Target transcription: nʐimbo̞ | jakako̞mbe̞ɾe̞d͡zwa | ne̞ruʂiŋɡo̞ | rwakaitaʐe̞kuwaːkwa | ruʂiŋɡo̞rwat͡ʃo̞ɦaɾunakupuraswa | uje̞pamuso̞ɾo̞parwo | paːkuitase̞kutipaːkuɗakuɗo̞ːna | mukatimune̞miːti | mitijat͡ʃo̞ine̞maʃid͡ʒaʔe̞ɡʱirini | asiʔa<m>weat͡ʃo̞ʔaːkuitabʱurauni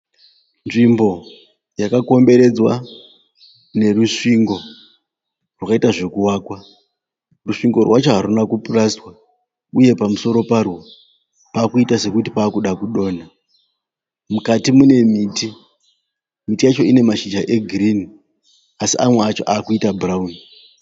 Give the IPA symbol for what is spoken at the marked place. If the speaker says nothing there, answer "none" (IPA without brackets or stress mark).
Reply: m